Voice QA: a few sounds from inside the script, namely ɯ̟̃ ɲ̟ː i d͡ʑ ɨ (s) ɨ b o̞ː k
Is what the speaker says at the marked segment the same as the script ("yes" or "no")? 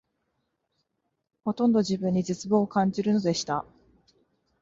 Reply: no